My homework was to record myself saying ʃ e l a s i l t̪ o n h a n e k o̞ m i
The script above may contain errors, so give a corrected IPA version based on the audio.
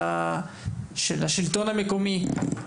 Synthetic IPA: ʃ e l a ʃ i l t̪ o n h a m e k o̞ m i

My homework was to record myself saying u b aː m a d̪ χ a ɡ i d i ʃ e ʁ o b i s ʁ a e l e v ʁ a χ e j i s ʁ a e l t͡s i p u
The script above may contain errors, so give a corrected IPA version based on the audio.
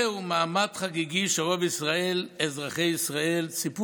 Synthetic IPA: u m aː m a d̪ χ a ɡ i ɡ i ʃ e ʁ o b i s ʁ a e l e z ʁ a χ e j i s ʁ a e l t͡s i p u

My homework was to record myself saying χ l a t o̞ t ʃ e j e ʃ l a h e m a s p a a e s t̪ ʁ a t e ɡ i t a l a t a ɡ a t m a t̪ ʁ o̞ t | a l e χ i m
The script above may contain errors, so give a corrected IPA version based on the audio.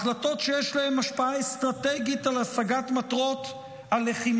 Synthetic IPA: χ l a t o̞ t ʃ e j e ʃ l a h e m a ʃ p a a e s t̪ ʁ a t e ɡ i t a l a s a ɡ a t m a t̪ ʁ o̞ t | a l e χ i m

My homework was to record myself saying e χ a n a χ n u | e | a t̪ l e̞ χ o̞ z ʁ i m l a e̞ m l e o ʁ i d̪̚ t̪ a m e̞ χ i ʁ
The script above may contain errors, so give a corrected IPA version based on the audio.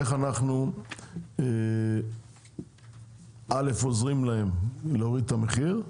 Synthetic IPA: e χ a n a χ n u | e | a l e̞ f o̞ z ʁ i m l a e̞ m l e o ʁ i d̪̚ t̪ a m e̞ χ i ʁ

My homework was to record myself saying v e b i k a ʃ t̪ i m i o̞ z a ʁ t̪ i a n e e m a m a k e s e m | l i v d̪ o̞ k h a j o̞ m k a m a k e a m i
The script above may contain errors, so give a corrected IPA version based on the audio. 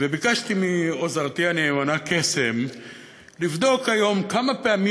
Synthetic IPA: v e b i k a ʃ t̪ i m i o̞ z a ʁ t̪ i a n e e m a n a k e s e m | l i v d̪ o̞ k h a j o̞ m k a m a p e a m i

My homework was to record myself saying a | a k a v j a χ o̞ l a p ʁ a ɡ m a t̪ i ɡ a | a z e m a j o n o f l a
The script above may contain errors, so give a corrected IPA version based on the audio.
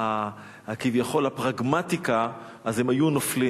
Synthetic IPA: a | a k i v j a χ o̞ l a p ʁ a ɡ m a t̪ i k a | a z e m a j u n o f l i

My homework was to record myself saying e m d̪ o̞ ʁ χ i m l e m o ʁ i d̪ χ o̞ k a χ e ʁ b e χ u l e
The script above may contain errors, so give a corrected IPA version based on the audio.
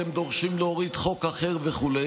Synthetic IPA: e m d̪ o̞ ʁ ʃ i m l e o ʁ i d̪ χ o̞ k a χ e ʁ v e χ u l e

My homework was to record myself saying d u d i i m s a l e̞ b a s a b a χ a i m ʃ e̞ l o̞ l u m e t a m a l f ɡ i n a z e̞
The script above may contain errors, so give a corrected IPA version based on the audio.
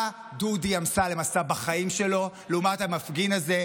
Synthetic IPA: d u d i a m s a l e̞ m a s a b a χ a i m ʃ e̞ l o̞ l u m a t a m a f ɡ i n a z e̞

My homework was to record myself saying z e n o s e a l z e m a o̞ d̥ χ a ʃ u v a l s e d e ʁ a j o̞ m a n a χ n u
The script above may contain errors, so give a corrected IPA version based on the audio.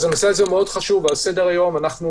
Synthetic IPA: z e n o s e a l z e m e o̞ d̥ χ a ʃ u v a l s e d e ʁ a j o̞ m a n a χ n u

